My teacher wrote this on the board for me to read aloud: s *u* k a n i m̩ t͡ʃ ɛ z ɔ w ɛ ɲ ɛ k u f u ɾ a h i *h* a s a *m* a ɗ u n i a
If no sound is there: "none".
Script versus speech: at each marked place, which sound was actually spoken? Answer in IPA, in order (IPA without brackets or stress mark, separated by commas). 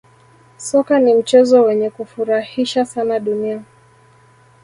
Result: ɔ, ʃ, n